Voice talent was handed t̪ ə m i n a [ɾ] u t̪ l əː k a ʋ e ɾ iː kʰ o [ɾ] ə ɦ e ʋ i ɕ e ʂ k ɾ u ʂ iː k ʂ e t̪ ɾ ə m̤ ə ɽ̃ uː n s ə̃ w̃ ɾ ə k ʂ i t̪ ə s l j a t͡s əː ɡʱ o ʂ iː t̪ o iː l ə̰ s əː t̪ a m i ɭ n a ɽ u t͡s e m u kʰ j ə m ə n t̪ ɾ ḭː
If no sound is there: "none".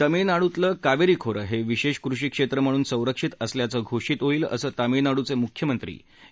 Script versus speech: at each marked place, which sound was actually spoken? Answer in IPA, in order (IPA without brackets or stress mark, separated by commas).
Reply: ɽ, ɾ